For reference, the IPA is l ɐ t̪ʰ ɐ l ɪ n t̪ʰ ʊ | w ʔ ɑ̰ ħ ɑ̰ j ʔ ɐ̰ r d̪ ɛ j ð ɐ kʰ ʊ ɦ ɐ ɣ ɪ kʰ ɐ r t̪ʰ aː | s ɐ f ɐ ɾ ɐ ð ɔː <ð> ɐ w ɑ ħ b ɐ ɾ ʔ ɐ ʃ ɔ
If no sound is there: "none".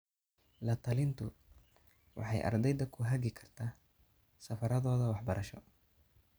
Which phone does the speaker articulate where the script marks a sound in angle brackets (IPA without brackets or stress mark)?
ð